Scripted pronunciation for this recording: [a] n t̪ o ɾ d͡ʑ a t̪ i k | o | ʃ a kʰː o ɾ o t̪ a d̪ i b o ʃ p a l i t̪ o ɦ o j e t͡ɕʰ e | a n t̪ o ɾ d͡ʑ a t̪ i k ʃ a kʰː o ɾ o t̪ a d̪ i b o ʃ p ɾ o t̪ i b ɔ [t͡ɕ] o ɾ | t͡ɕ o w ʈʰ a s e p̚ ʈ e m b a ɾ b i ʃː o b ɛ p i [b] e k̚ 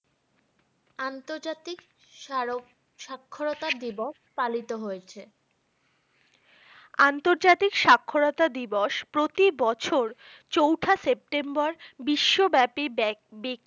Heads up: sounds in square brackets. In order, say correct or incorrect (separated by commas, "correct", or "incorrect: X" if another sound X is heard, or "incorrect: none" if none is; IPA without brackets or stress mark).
correct, incorrect: t͡ɕʰ, correct